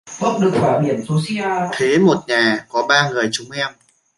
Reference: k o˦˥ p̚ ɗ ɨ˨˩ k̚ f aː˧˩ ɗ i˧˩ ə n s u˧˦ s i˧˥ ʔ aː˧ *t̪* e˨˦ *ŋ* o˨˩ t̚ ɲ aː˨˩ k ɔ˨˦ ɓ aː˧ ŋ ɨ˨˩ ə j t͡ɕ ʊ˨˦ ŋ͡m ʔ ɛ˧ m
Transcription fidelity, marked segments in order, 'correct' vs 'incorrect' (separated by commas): incorrect, incorrect